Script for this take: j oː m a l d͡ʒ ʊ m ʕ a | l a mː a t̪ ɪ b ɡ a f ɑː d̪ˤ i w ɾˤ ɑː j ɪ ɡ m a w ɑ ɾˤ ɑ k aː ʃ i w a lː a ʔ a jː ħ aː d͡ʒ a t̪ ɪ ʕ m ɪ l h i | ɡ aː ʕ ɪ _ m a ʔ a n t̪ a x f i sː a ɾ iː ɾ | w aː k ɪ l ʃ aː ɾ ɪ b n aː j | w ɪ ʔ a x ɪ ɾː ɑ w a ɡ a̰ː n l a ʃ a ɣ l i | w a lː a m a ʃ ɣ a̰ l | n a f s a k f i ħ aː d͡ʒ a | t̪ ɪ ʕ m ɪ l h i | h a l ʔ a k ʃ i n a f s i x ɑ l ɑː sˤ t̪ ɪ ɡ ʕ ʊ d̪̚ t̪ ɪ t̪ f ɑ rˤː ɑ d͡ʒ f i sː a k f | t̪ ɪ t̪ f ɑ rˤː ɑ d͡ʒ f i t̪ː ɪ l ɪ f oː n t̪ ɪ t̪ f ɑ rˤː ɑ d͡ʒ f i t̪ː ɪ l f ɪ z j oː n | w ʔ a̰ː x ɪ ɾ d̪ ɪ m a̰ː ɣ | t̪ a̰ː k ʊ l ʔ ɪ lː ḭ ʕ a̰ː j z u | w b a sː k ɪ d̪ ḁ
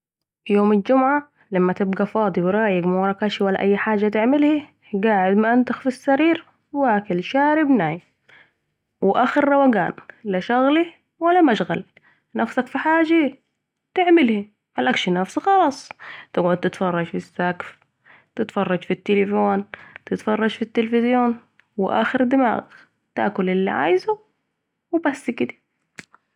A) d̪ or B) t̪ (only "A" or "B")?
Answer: A